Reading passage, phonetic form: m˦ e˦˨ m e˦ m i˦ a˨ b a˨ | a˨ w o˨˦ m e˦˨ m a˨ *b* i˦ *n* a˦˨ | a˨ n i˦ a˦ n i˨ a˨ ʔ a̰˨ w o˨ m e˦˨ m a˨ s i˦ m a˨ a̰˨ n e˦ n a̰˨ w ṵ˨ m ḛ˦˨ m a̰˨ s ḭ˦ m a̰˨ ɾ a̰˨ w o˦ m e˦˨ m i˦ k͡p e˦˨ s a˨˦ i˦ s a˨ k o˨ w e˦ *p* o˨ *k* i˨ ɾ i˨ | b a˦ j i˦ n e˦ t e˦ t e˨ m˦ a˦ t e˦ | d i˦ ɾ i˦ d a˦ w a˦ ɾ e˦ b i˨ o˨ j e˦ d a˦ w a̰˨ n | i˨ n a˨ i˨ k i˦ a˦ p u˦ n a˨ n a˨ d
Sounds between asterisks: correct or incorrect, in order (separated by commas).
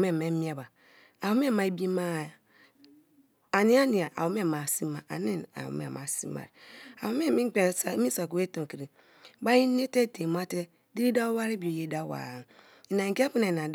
correct, incorrect, incorrect, correct